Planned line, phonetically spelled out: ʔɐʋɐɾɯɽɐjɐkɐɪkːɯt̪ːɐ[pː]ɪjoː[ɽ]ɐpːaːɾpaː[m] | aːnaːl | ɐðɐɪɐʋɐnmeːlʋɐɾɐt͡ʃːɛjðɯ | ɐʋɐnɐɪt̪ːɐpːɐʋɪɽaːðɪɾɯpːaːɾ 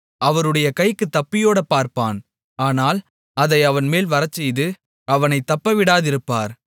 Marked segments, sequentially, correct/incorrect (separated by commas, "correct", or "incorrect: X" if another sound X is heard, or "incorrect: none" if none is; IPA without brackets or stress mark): correct, correct, incorrect: n